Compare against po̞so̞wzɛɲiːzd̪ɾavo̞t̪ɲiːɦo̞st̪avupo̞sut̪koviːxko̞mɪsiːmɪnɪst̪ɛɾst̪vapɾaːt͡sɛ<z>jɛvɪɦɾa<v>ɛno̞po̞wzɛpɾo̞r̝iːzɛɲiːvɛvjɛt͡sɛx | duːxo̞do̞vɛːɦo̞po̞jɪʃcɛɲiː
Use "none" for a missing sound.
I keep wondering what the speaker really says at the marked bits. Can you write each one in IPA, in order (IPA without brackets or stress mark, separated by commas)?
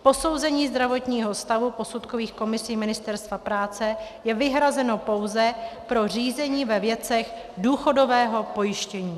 none, z